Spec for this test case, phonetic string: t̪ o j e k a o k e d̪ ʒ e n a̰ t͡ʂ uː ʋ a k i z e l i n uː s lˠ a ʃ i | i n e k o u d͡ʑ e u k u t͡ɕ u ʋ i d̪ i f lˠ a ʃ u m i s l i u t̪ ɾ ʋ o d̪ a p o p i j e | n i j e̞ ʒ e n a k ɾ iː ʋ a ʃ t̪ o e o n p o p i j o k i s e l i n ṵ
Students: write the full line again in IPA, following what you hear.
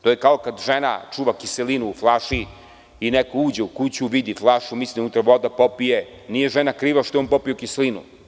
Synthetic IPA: t̪ o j e k a o k a d̪ ʒ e n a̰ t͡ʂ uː ʋ a k i s e l i n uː f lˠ a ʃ i | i n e k o uː d͡ʑ e u k u t͡ɕ u ʋ i d̪ i f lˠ a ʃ u m i s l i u t̪ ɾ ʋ o d̪ a p o p i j e | n i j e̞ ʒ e n a k ɾ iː ʋ a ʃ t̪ o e o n p o p i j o k i s e l i n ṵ